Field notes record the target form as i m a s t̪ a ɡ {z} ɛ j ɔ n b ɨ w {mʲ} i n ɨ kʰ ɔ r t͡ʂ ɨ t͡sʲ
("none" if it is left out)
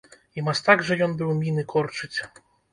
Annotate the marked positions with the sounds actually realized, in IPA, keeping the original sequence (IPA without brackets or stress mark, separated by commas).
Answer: ʐ, mʲ